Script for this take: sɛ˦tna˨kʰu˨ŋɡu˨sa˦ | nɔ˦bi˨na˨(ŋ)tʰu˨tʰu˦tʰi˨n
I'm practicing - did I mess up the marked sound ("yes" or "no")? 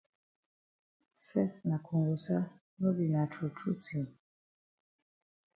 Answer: yes